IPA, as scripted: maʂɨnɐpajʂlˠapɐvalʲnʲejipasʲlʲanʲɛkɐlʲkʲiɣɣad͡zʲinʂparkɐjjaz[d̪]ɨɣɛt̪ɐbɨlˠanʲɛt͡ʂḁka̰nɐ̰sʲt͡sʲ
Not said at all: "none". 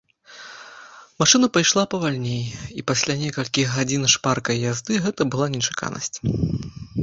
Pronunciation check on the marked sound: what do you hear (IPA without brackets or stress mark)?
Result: d̪